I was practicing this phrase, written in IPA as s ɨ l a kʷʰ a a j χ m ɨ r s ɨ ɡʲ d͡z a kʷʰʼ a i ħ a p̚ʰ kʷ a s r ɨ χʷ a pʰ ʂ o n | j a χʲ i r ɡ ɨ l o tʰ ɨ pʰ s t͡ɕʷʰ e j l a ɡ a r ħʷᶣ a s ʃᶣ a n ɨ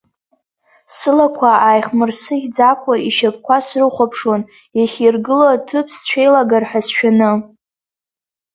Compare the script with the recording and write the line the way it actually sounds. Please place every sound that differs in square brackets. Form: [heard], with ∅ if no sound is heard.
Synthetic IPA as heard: s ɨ l a kʷʰ a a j χ m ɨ r s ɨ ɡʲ d͡z a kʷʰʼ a i [ʃ] a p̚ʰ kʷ a s r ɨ χʷ a pʰ ʂ o n | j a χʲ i r ɡ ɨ l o tʰ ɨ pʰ s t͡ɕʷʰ e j l a ɡ a r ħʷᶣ a s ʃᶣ a n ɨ